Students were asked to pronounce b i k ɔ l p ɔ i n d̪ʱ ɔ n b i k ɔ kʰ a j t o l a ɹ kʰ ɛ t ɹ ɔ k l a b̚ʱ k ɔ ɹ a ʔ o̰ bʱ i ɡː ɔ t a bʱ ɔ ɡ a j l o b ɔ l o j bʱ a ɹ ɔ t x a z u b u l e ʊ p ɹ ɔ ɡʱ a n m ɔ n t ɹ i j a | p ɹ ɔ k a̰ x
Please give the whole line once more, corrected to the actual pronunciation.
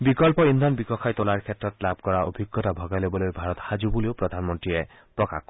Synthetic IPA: b i k ɔ l p ɔ i n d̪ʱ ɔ n b i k ɔ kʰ a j t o l a ɹ kʰ ɛ t ɹ ɔ t l a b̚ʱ k ɔ ɹ a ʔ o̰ bʱ i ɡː ɔ t a bʱ ɔ ɡ a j l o b ɔ l o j bʱ a ɹ ɔ t x a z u b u l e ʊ p ɹ ɔ dʱ a n m ɔ n t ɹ i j ɛ | p ɹ ɔ k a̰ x